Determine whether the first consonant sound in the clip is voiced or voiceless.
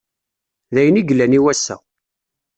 voiced